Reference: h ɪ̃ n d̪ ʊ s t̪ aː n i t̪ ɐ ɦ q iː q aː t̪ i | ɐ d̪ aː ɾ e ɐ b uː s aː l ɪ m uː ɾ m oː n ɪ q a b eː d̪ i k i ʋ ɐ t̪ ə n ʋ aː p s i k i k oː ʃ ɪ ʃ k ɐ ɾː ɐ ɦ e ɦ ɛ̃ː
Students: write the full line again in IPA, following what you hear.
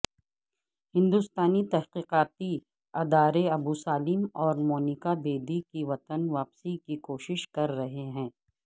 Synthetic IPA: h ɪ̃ n d̪ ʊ s t̪ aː n i t̪ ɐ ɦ q iː q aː t̪ i | ɐ d̪ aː ɾ e ɐ b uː s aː l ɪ m ɔː ɾ m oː n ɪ k a b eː d̪ i k i ʋ ɐ t̪ ə n ʋ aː p s i k i k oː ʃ ɪ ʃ k ɐ ɾː ɐ ɦ e ɦ ɛ̃ː